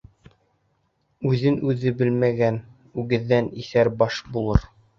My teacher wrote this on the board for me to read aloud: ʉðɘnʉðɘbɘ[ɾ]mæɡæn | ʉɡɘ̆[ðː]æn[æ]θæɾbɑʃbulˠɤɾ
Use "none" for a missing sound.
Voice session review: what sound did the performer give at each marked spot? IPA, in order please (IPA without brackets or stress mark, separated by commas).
l, ðː, i